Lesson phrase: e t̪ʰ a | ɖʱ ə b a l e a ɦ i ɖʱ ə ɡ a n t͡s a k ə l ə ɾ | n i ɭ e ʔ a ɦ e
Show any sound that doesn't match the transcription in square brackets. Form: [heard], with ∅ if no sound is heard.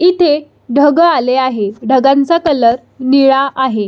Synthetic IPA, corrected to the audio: [i] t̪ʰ [e] | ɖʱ ə [ɡ] a l e a ɦ [e] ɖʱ ə ɡ a n t͡s a k ə l ə ɾ | n i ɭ [a] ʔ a ɦ e